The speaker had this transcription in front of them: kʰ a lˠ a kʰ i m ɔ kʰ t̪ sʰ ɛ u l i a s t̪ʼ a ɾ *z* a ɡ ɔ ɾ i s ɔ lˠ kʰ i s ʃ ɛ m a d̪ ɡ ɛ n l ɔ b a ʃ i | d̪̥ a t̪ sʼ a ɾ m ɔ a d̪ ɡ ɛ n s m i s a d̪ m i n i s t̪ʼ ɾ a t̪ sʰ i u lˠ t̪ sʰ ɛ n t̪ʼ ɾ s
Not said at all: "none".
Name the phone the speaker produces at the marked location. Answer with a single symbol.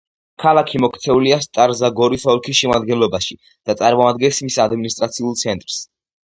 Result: z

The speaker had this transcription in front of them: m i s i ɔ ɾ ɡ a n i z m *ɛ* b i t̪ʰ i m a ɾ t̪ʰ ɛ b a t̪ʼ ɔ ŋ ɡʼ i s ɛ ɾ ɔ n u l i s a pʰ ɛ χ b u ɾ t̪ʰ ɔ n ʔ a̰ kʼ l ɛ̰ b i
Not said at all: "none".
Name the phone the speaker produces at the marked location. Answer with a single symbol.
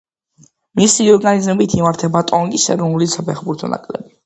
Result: ɛ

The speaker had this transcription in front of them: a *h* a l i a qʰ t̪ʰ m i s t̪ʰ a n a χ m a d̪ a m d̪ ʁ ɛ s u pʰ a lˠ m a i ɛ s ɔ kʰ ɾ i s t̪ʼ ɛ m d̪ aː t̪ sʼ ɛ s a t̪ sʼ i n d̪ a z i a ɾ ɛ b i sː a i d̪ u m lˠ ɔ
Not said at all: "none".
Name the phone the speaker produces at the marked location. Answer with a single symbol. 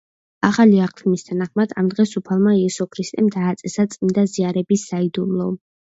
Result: χ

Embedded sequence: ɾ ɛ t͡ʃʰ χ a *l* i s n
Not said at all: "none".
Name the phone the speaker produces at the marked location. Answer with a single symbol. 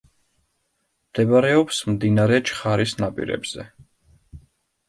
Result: ɾ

